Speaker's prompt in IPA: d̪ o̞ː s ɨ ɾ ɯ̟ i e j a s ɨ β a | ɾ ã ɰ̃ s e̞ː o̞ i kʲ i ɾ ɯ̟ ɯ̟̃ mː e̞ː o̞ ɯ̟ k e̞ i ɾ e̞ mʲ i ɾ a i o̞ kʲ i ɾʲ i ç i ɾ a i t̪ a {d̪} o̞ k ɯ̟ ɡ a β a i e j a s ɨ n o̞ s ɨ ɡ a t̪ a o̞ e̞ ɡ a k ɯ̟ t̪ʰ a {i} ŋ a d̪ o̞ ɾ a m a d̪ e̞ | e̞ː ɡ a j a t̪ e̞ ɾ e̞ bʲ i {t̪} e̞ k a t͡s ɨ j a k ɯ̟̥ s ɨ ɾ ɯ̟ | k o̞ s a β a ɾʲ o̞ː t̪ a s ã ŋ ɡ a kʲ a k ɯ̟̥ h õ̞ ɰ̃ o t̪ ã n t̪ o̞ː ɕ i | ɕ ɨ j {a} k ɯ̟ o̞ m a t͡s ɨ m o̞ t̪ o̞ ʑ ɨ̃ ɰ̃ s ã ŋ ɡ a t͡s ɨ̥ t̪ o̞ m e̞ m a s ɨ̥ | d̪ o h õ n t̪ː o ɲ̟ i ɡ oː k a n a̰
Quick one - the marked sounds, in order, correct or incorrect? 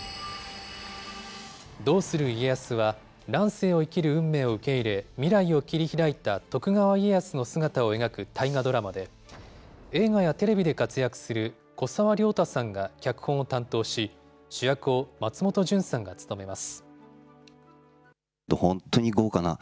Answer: incorrect: t̪, correct, incorrect: d̪, correct

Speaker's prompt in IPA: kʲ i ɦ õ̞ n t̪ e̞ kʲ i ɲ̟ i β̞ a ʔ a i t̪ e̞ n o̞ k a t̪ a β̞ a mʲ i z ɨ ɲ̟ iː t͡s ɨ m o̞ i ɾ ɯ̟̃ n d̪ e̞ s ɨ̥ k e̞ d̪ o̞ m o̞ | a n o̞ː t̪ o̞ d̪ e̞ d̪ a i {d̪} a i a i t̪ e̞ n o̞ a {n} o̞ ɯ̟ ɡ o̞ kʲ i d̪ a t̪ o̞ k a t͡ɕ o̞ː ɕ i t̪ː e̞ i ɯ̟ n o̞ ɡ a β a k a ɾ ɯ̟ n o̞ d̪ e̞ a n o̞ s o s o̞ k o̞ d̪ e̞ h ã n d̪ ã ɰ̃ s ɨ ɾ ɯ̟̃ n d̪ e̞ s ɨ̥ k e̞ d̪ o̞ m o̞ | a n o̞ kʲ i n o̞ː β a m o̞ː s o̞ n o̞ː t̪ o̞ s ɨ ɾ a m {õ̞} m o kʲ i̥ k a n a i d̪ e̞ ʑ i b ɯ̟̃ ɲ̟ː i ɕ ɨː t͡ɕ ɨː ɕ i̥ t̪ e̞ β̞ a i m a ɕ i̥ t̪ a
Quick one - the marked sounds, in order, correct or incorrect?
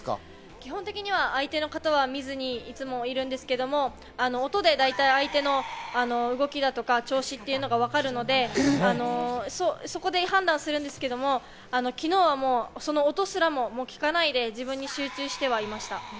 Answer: incorrect: t̪, correct, incorrect: o̞

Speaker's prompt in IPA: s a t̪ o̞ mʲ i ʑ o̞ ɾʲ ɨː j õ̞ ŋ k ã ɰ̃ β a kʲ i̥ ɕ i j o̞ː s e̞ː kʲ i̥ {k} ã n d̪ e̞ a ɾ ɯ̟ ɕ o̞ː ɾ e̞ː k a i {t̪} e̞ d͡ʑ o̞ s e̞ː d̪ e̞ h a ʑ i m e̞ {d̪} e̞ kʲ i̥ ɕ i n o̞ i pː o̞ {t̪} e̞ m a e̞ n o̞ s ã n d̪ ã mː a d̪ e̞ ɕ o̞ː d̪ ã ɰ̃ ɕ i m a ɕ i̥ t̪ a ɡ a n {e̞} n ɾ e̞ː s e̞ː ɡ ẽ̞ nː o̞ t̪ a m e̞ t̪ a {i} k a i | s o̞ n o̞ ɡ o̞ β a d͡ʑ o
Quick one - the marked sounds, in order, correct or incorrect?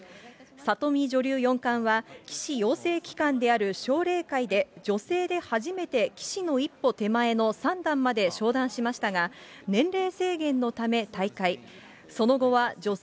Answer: correct, incorrect: d̪, incorrect: t̪, correct, incorrect: ẽ̞, correct

